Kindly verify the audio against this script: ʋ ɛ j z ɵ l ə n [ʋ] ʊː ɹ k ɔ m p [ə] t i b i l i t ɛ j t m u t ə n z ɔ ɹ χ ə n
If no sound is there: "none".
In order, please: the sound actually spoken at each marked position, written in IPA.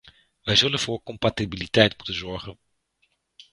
v, a

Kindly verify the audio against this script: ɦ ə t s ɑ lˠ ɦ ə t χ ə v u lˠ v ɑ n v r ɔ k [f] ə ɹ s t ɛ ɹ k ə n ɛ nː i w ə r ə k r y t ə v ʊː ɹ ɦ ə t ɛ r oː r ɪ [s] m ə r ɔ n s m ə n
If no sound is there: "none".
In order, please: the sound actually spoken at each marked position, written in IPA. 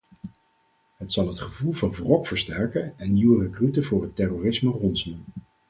f, s

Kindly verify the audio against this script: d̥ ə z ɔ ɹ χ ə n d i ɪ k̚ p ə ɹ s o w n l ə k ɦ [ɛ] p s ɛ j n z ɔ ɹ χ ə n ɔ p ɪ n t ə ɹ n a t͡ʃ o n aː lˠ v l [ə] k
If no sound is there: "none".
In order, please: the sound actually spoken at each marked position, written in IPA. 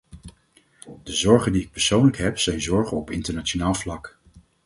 ɛ, ɑ

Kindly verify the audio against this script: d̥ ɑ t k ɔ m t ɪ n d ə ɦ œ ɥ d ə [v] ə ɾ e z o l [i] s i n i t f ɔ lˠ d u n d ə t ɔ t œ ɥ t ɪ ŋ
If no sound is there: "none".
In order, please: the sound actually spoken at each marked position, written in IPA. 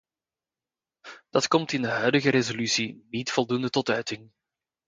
ɣ, y

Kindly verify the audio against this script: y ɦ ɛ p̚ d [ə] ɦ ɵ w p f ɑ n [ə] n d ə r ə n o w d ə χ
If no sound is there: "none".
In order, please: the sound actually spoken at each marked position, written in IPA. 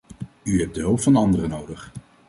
ə, ɑ

